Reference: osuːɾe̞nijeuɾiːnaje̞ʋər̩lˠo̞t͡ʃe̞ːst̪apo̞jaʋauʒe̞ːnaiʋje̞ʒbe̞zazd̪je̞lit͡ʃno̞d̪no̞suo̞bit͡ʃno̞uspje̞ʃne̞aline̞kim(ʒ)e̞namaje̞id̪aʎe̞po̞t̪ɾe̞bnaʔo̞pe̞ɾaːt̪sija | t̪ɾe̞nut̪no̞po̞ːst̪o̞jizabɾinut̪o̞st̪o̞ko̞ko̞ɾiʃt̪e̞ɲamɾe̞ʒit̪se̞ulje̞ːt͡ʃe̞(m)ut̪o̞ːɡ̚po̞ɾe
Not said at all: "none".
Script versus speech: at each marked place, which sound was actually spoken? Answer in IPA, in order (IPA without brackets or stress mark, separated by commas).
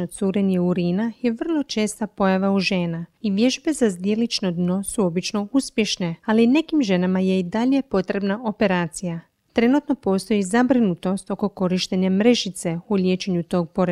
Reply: ʒ, ɲ